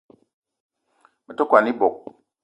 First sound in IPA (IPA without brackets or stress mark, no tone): m